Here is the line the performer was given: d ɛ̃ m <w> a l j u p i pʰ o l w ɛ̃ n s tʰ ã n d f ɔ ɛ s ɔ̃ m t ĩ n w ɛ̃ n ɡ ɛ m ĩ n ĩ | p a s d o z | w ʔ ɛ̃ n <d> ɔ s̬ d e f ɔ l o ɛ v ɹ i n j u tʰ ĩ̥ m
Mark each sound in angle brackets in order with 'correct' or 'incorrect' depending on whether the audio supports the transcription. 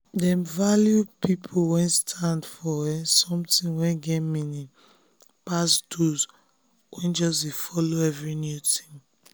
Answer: incorrect: v, incorrect: d͡ʒ

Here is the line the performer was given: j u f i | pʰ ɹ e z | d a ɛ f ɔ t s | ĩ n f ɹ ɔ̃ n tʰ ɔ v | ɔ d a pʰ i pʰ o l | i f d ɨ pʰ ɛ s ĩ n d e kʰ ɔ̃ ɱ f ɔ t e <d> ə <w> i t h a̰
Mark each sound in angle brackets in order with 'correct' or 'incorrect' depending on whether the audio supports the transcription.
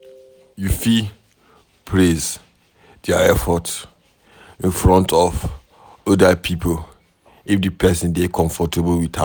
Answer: incorrect: b, correct

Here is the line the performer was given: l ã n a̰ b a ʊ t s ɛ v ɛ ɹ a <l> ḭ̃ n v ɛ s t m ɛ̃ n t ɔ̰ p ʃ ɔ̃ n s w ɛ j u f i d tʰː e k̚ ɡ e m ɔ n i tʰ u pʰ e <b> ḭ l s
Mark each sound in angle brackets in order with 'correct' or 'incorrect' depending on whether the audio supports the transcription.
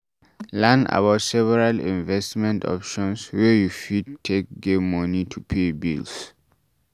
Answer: correct, correct

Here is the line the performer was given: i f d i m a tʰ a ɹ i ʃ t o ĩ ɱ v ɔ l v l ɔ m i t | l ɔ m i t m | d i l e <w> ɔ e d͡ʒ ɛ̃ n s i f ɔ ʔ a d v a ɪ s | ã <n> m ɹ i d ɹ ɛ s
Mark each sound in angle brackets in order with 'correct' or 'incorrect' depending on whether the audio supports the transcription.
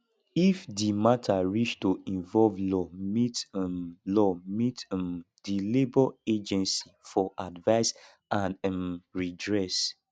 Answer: incorrect: b, correct

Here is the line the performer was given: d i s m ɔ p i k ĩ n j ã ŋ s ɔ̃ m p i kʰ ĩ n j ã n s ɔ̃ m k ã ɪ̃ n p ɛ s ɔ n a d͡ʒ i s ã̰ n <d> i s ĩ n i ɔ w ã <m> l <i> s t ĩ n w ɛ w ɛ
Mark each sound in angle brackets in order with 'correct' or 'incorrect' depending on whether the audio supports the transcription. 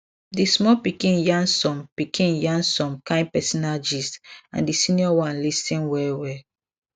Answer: correct, incorrect: n, correct

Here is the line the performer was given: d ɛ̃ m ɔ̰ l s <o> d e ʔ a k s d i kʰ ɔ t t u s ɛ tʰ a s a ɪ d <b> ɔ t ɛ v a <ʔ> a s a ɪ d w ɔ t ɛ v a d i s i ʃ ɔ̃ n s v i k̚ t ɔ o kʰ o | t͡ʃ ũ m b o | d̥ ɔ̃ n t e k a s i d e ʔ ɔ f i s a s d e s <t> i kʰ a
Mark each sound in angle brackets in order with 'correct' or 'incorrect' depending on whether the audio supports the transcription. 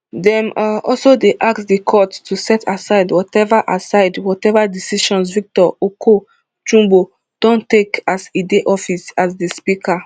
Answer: correct, incorrect: w, correct, incorrect: p

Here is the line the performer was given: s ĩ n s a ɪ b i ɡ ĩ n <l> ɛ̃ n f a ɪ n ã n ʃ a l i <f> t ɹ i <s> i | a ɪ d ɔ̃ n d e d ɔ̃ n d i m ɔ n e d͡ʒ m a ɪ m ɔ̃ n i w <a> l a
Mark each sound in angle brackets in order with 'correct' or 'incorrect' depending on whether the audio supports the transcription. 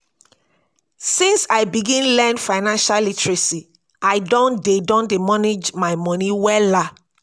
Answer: correct, incorrect: none, correct, incorrect: ɛ

